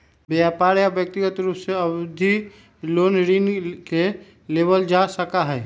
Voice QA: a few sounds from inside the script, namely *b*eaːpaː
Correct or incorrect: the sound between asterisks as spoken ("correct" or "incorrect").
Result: correct